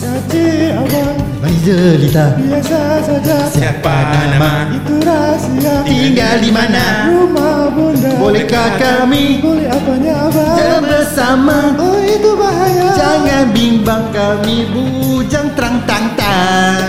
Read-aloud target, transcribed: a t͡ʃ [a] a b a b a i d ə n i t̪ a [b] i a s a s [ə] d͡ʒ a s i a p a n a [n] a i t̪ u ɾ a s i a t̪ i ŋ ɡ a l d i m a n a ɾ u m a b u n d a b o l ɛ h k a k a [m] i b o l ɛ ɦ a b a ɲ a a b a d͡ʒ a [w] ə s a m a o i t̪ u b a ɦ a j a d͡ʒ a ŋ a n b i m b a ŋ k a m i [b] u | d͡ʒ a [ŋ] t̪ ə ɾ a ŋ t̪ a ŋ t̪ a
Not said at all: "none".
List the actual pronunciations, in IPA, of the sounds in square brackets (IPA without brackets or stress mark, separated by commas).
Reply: i, b, a, m, m, b, b, ŋ